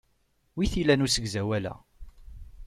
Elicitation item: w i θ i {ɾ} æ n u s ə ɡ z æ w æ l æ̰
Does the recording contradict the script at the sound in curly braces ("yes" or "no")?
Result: yes